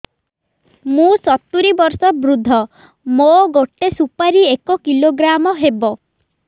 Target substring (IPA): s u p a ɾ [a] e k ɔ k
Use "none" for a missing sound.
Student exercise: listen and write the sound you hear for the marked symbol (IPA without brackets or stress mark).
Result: i